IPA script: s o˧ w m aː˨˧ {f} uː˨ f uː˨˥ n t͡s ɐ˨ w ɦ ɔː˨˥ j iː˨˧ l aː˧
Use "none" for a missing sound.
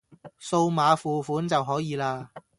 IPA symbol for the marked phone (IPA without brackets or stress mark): f